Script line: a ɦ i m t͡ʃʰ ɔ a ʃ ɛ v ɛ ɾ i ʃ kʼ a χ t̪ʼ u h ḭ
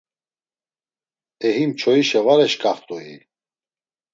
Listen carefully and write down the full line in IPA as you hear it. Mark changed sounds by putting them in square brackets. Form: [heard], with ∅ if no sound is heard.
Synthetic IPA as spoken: [ɛ] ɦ i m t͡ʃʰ ɔ [i] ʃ ɛ v [a] ɾ [ɛ] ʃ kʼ a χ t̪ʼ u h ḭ